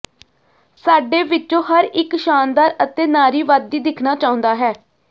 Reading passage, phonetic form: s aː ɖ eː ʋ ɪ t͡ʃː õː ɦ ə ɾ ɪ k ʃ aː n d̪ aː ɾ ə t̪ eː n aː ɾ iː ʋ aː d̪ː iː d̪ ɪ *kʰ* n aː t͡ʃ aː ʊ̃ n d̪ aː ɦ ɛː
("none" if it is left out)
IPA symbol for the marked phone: kʰ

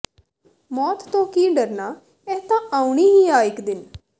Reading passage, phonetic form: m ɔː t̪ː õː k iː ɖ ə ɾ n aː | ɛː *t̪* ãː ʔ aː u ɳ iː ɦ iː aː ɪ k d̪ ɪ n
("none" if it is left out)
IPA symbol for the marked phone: t̪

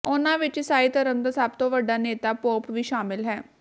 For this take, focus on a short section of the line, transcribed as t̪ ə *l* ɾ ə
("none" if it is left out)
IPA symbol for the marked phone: none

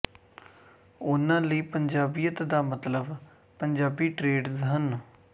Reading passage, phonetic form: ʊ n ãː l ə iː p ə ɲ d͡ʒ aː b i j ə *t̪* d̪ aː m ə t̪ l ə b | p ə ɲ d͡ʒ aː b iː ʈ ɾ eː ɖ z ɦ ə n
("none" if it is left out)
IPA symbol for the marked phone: t̪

